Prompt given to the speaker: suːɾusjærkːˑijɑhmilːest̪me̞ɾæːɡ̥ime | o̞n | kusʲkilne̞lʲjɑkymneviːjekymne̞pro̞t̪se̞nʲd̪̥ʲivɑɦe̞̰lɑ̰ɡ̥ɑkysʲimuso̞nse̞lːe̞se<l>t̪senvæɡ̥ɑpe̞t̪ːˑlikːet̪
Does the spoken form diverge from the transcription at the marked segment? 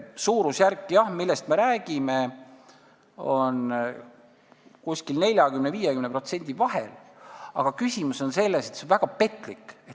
yes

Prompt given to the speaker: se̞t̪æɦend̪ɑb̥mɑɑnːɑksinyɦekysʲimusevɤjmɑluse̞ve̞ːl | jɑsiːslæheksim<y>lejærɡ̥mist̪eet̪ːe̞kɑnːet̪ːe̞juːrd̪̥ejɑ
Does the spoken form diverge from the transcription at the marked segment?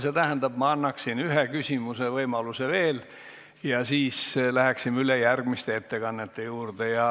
no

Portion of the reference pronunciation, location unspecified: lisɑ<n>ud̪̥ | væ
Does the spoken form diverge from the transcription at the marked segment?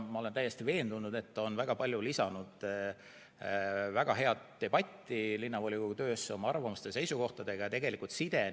no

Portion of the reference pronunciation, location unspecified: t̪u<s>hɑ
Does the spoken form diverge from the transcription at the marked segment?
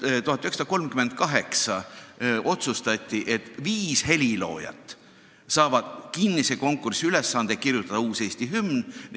yes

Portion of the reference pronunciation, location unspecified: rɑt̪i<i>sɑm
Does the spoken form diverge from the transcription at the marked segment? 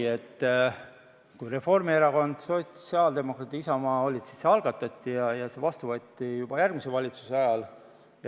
no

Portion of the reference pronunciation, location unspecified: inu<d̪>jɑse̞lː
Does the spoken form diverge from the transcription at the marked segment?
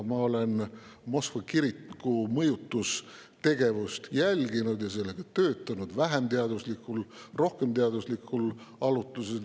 no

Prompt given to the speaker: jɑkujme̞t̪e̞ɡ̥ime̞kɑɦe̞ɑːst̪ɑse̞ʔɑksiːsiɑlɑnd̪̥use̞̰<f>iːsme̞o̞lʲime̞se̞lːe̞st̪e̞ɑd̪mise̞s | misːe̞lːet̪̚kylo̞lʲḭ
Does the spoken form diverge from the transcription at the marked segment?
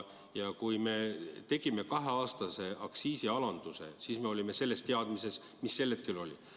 yes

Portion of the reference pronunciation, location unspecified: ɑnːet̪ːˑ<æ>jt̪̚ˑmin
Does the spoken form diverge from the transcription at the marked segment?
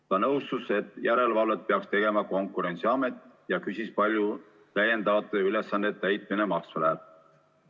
no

